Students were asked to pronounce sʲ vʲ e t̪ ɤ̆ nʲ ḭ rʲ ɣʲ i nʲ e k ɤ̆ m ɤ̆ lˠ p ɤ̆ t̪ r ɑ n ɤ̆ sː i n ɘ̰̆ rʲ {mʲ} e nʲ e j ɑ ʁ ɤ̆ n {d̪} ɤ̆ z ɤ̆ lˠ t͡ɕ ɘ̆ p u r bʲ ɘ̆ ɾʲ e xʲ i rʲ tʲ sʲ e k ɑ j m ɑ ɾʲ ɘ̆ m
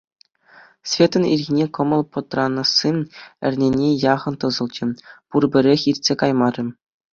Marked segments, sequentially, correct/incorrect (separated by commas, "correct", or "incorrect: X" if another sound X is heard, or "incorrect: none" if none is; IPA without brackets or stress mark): incorrect: nʲ, incorrect: t̪